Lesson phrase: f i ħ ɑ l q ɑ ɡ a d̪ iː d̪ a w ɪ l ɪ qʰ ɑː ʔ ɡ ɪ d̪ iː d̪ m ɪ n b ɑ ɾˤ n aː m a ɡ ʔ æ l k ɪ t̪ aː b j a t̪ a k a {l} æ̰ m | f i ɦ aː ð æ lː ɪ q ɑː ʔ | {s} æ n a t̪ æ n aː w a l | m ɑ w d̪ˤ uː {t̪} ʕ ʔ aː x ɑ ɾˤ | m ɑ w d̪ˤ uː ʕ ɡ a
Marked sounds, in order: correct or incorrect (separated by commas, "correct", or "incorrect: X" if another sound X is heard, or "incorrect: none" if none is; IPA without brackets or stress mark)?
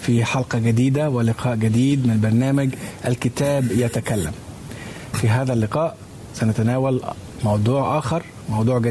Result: incorrect: lː, correct, incorrect: none